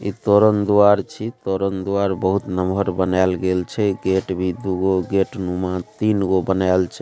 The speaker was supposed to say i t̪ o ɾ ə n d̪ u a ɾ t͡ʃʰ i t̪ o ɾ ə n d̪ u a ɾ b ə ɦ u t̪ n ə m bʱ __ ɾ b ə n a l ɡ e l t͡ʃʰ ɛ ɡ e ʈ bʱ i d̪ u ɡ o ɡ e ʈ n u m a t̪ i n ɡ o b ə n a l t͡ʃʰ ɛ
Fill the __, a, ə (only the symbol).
ə